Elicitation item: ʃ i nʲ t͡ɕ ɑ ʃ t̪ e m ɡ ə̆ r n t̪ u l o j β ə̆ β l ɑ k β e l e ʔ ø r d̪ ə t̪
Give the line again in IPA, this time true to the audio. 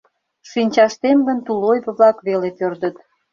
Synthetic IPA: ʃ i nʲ t͡ɕ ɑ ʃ t̪ e m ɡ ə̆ n t̪ u l o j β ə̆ β l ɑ k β e l e p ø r d̪ ə t̪